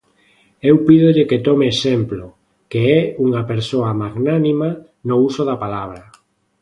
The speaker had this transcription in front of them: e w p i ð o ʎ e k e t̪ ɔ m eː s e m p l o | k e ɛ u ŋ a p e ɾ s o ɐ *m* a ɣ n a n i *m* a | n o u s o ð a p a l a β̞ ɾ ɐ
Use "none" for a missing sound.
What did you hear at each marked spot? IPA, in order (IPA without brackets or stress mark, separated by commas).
m, m